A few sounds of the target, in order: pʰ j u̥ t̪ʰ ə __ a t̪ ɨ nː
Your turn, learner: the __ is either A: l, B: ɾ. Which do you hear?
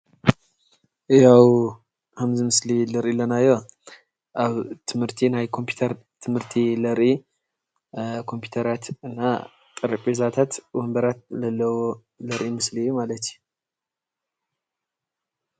B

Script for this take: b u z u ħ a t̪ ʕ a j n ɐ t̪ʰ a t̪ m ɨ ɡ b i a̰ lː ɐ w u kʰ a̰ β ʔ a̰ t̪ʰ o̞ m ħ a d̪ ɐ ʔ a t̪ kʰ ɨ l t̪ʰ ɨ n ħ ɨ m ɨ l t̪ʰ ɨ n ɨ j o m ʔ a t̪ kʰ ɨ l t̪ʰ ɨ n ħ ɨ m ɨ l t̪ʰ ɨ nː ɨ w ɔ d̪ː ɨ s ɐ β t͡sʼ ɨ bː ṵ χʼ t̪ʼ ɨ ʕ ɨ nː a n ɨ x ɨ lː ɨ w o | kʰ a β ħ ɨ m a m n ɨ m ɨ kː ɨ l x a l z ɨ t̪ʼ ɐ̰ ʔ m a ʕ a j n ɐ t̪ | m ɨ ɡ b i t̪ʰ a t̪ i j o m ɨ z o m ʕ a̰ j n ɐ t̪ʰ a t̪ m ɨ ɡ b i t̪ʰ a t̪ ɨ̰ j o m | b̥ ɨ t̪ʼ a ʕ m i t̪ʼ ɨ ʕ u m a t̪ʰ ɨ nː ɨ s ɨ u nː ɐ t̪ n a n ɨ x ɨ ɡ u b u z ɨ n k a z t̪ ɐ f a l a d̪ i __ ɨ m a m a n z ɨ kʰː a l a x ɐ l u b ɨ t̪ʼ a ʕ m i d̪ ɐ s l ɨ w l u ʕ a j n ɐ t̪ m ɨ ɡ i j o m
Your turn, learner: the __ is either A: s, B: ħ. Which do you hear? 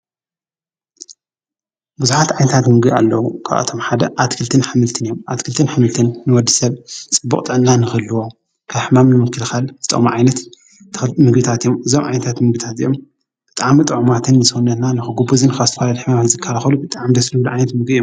B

